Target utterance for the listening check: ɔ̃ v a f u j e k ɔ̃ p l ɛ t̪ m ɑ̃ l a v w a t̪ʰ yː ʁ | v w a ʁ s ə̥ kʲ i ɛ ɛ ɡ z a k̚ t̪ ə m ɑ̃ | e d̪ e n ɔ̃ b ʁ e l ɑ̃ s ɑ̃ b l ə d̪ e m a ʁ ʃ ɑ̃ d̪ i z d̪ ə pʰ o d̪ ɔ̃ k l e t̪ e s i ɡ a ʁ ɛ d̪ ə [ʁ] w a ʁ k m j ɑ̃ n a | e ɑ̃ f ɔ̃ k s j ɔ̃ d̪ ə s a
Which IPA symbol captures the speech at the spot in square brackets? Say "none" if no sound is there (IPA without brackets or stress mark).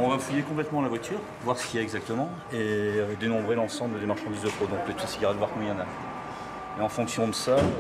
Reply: v